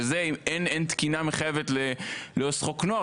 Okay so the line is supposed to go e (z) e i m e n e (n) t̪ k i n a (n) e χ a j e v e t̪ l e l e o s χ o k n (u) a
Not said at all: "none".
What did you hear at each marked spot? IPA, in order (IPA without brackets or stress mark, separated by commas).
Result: z, n, m, o